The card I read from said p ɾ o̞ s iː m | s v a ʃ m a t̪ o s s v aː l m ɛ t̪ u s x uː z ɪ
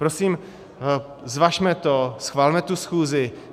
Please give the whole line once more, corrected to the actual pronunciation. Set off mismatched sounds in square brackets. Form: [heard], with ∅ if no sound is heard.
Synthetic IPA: p ɾ o̞ s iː m | [z] v a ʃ m [ɛ] t̪ o s [x] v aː l m ɛ t̪ u s x uː z ɪ